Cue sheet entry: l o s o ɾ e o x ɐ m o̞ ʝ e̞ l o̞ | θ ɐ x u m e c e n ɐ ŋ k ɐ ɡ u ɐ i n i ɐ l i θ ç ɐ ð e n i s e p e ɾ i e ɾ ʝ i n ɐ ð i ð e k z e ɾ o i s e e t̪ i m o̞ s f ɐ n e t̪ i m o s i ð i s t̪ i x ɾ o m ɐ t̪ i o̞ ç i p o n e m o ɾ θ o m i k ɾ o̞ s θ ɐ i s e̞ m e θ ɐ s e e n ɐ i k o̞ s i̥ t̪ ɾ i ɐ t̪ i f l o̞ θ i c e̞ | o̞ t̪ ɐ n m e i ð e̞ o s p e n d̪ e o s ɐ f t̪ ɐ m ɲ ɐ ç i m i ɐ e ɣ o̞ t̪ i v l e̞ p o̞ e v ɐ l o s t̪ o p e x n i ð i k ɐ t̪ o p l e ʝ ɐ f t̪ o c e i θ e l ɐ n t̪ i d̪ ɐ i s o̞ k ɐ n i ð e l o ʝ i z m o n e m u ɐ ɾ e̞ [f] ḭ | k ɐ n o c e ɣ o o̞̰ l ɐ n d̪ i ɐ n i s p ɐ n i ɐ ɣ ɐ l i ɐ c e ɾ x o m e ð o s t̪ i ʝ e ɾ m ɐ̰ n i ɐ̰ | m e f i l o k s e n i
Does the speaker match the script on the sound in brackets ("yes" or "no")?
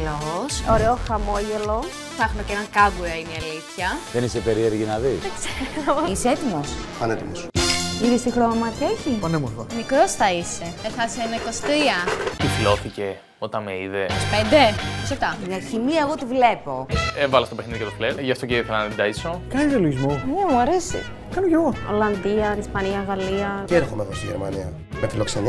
no